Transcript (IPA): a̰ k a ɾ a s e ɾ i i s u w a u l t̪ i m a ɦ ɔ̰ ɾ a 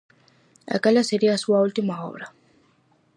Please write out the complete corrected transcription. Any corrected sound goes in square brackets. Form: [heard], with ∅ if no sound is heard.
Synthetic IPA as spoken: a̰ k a [l] a s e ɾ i [a] s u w a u l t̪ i m a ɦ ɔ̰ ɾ a